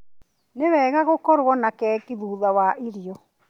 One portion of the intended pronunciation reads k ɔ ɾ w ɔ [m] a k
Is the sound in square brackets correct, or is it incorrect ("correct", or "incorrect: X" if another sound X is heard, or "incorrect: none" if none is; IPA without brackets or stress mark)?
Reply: incorrect: n